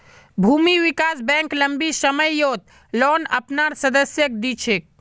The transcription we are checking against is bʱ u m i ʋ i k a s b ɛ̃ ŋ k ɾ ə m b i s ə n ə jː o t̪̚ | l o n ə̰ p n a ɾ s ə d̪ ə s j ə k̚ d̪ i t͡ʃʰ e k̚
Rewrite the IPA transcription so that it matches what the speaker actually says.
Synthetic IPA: bʱ u m i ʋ i k a s b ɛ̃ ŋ k l ə m b i s ə m ə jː o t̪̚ | l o n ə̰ p n a ɾ s ə d̪ ə s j ə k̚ d̪ i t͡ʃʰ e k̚